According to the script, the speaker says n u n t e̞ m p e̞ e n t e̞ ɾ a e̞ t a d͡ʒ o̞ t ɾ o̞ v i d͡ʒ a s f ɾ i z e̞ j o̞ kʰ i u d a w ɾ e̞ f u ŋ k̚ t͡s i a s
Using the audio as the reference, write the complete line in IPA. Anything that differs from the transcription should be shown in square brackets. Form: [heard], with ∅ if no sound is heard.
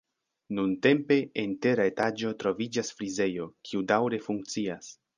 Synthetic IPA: n u n t e̞ m p e̞ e n t e̞ ɾ a e̞ t a d͡ʒ o̞ t ɾ o̞ v i d͡ʒ a s f ɾ i z e̞ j o̞ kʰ i u d a w ɾ e̞ f u ŋ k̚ t͡s i a s